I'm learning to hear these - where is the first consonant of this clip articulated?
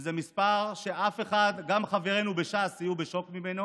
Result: tongue tip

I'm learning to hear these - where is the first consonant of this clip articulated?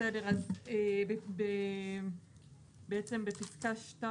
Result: tongue tip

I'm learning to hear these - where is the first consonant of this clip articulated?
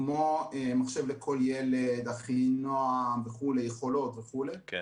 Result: lips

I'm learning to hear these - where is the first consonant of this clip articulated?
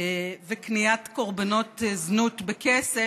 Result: lips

